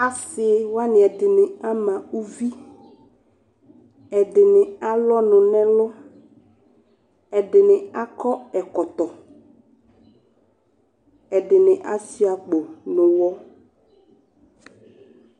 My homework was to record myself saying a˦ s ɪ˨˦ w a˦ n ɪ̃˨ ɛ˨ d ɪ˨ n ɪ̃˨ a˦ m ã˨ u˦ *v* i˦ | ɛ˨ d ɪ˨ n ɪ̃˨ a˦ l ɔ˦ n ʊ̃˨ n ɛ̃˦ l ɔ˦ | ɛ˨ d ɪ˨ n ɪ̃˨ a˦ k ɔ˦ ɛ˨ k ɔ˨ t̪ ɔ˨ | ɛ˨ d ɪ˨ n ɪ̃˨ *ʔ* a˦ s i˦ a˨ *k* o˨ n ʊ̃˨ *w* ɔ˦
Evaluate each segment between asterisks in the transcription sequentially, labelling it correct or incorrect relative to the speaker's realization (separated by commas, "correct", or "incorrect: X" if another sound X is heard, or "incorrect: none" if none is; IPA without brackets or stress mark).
correct, correct, incorrect: k͡p, correct